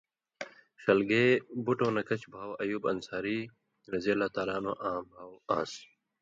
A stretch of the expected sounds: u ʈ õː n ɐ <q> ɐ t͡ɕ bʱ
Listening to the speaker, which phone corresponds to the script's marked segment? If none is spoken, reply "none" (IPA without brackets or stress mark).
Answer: k